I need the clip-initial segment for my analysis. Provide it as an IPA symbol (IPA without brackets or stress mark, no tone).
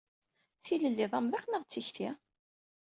θ